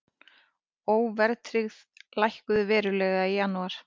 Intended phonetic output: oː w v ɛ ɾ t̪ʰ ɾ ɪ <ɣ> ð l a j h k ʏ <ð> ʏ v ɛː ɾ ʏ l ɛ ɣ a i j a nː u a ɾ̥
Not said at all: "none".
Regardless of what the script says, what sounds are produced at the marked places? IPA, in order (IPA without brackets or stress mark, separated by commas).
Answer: ɣ, ð